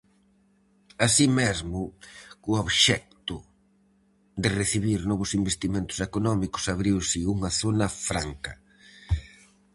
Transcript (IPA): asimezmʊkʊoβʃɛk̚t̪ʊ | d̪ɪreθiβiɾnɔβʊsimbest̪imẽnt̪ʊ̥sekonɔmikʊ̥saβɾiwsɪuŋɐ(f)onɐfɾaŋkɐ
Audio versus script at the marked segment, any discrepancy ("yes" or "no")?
yes